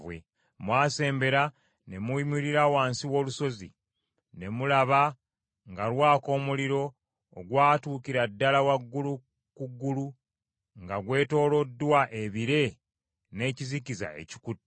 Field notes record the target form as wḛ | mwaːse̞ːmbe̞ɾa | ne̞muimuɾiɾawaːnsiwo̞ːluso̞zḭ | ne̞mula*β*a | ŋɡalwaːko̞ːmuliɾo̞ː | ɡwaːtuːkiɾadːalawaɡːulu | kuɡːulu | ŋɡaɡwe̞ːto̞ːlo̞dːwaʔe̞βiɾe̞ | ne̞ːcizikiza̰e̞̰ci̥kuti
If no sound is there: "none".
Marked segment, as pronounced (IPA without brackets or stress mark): β